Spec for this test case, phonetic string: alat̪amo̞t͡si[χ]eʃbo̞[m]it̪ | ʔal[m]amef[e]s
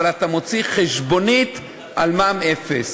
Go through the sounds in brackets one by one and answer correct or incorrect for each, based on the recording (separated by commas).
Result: correct, incorrect, correct, correct